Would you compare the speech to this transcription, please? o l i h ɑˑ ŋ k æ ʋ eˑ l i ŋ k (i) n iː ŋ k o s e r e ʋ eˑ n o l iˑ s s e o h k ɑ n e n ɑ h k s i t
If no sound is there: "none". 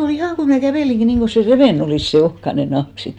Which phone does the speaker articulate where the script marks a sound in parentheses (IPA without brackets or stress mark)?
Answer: i